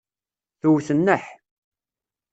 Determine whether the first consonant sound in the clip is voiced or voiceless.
voiceless